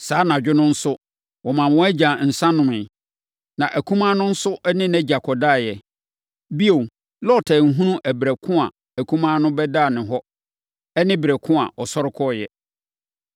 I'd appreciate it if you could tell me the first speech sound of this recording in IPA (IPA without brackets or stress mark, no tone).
s